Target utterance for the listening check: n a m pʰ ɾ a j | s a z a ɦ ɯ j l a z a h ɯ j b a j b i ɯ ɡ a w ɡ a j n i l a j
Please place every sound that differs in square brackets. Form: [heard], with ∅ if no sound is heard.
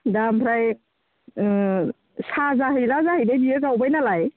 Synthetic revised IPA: [d] a m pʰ ɾ a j | s a z a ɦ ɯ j l a z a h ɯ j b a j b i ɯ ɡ a w [b] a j n [a] l a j